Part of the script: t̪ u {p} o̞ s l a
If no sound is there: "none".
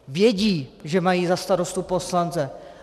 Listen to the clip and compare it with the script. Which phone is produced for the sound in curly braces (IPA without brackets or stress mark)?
p